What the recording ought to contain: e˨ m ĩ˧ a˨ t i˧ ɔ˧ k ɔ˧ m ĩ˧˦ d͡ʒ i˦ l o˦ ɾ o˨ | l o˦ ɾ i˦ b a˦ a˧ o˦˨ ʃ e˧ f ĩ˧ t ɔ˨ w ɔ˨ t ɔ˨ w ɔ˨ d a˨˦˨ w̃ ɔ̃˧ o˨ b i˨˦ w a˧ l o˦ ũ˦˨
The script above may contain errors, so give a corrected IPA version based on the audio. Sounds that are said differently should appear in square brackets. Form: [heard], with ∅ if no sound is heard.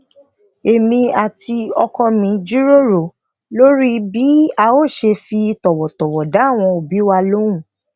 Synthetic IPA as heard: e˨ m ĩ˧ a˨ t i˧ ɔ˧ k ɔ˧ m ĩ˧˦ d͡ʒ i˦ [ɾ] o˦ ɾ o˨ | l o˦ ɾ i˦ b [i˦] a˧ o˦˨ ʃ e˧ f [i˧] t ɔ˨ w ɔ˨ t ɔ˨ w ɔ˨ d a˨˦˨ w̃ ɔ̃˧ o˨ b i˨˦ w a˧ l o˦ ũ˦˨